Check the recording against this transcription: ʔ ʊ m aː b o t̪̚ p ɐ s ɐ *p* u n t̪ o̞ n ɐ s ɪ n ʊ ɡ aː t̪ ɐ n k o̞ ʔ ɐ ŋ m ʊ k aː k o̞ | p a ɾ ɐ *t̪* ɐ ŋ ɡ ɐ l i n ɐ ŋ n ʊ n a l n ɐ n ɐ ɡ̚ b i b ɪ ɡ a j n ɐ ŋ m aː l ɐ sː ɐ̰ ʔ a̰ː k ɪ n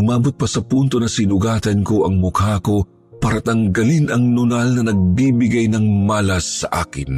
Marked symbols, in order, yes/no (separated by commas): yes, yes